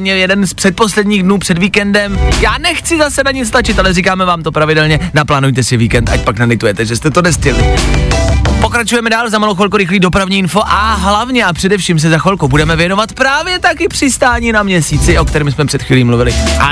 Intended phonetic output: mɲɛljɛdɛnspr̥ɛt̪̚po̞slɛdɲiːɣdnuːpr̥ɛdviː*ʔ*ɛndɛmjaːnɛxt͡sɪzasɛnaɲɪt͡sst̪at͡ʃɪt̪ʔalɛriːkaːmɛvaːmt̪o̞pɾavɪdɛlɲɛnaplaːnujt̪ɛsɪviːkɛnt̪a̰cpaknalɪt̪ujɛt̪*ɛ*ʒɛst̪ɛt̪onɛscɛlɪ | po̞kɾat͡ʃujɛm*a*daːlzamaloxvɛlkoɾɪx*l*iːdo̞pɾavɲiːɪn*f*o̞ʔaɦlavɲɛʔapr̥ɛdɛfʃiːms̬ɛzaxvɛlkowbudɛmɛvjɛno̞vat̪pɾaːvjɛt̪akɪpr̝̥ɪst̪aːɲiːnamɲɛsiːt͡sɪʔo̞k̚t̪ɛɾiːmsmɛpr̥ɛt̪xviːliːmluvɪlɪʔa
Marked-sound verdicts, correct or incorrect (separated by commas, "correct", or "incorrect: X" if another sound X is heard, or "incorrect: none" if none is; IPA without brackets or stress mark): incorrect: k, correct, incorrect: ɛ, correct, correct